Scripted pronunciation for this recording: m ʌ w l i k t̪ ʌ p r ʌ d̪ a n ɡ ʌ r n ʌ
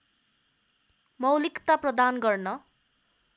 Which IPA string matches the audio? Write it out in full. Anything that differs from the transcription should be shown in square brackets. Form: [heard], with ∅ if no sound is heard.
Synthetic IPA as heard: m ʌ w l i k t̪ [a] p r ʌ d̪ a n ɡ ʌ r n ʌ

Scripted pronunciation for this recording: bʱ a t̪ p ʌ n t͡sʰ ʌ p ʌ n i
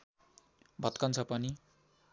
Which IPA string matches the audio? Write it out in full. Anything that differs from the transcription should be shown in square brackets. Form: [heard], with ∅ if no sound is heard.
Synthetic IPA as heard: bʱ [ʌ] t̪ [k] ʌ n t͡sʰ ʌ p ʌ n i

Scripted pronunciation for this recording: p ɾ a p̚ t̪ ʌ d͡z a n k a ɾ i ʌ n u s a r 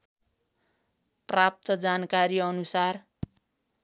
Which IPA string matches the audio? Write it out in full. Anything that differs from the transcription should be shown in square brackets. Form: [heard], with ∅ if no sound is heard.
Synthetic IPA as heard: p [r] a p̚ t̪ ʌ d͡z a n k a ɾ i ʌ n u s a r

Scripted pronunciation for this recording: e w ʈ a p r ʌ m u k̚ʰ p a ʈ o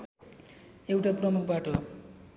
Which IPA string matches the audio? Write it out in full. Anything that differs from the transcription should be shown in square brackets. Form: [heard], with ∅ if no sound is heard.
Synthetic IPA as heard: e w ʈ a p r ʌ m u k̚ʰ [b] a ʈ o

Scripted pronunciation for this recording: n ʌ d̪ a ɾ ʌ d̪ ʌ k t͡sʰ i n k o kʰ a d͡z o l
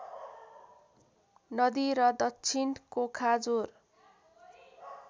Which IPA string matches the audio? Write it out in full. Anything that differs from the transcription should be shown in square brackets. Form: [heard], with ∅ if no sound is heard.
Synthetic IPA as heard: n ʌ d̪ [i] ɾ ʌ d̪ ʌ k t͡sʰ i n k o kʰ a d͡z o [r]

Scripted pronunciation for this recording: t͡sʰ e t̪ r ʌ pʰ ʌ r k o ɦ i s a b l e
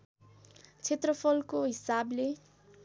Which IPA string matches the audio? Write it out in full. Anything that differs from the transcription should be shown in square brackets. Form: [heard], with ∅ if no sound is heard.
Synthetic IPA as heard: t͡sʰ e t̪ r ʌ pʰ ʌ [l] k o ɦ i s a b l e

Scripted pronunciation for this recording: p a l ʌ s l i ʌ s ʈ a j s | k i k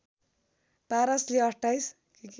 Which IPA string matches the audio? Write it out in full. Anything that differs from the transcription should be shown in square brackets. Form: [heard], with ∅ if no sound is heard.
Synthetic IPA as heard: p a [ɾ] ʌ s l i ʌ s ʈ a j s | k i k

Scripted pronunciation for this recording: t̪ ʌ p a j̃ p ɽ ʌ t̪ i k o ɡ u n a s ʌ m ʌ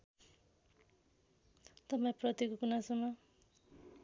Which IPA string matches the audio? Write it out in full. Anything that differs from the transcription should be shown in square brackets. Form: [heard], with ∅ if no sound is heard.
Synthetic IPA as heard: t̪ ʌ p a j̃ p [r] ʌ t̪ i k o [k] u n a s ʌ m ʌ

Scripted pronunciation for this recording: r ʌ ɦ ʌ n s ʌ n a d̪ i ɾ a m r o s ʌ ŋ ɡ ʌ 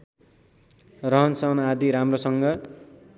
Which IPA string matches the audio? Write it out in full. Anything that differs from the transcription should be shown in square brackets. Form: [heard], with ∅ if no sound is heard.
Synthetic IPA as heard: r ʌ ɦ ʌ n s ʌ n a d̪ i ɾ a m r o s ʌ ŋ ɡ ʌ

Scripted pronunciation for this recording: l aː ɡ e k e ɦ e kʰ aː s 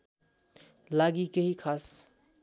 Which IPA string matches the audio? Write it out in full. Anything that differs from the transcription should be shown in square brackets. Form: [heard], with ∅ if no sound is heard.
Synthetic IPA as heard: l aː ɡ [i] k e ɦ [i] kʰ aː s

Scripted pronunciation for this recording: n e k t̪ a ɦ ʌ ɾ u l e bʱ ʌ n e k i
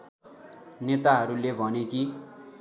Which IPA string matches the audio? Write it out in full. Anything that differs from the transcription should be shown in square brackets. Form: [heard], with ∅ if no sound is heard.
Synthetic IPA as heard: n e [∅] t̪ a ɦ ʌ ɾ u l e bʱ ʌ n e k i

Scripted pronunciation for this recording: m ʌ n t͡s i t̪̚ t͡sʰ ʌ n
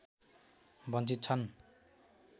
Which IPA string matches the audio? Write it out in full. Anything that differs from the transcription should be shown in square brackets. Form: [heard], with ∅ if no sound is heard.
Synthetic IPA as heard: [b] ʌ n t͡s i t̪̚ t͡sʰ ʌ n

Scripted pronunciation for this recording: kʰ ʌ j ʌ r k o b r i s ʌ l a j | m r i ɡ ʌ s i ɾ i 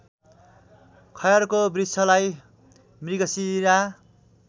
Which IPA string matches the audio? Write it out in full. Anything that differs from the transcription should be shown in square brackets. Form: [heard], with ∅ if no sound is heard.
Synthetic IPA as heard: kʰ ʌ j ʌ r k o b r i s ʌ l a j | m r i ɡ ʌ s i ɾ [a]

